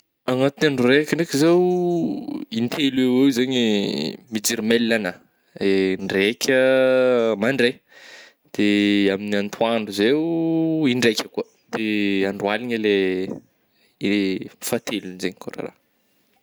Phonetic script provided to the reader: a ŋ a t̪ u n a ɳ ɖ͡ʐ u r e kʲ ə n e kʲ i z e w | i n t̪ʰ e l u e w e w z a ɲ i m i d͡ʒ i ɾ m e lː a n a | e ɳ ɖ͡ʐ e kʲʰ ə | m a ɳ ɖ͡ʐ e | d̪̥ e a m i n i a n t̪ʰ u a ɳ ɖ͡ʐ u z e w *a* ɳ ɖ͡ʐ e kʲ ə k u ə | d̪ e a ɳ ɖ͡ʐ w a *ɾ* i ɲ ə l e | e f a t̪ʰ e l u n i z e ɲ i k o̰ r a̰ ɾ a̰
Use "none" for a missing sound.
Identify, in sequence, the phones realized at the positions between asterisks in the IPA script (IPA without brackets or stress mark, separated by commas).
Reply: i, l